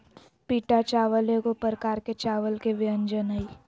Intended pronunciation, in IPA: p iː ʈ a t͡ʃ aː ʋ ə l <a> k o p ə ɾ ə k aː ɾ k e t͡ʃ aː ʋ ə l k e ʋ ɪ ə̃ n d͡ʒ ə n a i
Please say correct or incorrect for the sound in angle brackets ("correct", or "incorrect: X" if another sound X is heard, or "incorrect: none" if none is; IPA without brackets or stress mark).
incorrect: e